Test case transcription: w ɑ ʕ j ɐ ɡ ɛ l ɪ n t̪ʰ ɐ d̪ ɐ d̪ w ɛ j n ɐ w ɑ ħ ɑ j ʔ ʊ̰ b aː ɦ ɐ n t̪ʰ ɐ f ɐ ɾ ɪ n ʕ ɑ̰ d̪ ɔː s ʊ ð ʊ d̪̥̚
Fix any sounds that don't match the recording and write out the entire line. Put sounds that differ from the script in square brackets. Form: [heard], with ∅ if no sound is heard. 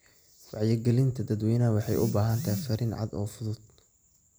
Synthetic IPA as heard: w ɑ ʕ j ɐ ɡ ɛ l ɪ n t̪ʰ ɐ d̪ ɐ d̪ w ɛ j n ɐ w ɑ ħ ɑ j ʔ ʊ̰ b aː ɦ ɐ n t̪ʰ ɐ f ɐ ɾ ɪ n ʕ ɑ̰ d̪ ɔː [f] ʊ ð ʊ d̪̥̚